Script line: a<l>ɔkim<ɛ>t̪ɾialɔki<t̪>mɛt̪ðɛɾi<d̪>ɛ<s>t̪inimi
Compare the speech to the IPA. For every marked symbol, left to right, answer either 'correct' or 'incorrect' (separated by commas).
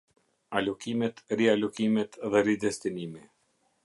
correct, correct, incorrect, correct, correct